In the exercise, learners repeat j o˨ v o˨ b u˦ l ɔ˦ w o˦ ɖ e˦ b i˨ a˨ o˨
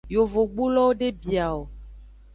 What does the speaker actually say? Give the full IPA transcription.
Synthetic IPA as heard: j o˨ v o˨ ɡ͡b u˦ l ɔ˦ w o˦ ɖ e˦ b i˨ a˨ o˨